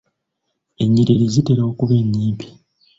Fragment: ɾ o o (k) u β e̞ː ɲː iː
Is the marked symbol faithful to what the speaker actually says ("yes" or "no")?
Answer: yes